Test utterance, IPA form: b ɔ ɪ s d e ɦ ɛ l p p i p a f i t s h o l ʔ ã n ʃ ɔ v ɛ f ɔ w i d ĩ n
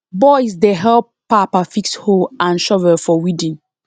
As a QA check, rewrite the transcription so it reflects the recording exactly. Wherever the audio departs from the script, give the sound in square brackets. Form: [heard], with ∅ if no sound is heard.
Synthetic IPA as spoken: b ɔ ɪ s d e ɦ ɛ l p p [a] p a f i [k] s h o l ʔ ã n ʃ ɔ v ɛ f ɔ w i d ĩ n